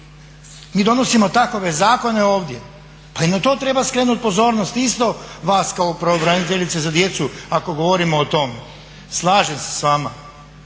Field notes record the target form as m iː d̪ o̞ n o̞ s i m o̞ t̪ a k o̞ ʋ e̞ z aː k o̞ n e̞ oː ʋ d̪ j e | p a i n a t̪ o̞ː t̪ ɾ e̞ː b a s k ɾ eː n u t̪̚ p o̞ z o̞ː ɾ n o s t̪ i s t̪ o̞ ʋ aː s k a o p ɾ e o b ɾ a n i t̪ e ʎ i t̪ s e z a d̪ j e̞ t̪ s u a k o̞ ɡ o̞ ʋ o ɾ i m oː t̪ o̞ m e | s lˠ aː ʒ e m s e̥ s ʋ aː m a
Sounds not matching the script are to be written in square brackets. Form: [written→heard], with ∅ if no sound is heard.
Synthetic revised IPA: m iː d̪ o̞ n o̞ s i m o̞ t̪ a k o̞ ʋ e̞ z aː k o̞ n e̞ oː ʋ d̪ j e | p a i n a t̪ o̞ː t̪ ɾ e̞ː b a s k ɾ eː n u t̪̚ p o̞ z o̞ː ɾ n o s t̪ i s t̪ o̞ ʋ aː s k a o p ɾ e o b ɾ a n i t̪ e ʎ i t̪ s e z a d̪ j e̞ t̪ s u a k o̞ ɡ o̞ ʋ o ɾ i m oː t̪ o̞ m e | s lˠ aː ʒ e m s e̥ s ʋ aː m a